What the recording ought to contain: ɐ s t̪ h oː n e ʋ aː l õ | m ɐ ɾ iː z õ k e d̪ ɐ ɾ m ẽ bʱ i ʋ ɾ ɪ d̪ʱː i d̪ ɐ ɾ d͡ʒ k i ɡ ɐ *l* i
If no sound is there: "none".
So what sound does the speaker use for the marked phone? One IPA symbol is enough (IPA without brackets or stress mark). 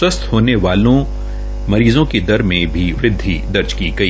none